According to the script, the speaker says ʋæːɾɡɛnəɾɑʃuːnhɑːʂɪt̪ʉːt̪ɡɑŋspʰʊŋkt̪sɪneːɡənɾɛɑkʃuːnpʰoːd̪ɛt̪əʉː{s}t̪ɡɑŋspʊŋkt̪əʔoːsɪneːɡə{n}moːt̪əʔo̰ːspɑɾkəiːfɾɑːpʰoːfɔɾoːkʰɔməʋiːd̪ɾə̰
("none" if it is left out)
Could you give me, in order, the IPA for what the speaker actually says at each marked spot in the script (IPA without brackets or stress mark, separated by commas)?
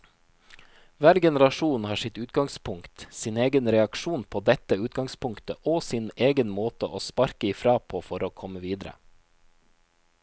none, n